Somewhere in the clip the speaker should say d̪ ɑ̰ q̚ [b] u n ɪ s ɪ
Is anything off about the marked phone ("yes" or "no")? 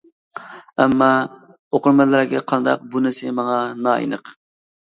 no